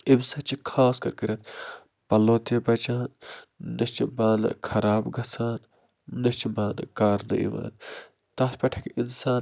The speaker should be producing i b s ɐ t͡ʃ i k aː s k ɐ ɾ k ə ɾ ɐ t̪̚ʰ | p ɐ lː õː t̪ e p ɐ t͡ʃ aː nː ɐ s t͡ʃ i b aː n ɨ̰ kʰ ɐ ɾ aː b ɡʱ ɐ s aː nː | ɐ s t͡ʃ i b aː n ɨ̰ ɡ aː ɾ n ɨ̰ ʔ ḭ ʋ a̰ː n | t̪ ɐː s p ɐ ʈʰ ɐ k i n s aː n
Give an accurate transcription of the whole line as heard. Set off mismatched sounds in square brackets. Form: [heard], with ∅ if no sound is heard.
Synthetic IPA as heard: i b s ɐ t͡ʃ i [kʰ] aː s k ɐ ɾ k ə ɾ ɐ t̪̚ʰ | p ɐ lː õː t̪ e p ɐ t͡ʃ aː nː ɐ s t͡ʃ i b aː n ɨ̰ kʰ ɐ ɾ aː b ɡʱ ɐ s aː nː | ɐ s t͡ʃ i b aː n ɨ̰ [k] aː ɾ n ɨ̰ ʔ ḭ ʋ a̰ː n | t̪ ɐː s p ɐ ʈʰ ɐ k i n s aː n